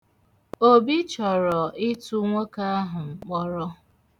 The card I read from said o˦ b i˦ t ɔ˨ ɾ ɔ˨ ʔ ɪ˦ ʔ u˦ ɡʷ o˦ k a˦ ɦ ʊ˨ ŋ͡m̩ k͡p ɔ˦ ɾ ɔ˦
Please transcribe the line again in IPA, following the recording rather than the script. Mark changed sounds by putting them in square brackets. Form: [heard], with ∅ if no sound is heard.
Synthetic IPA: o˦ b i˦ [t͡ʃ] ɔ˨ ɾ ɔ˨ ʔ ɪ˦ [t] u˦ [ŋʷ] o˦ k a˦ ɦ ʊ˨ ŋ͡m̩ k͡p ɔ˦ ɾ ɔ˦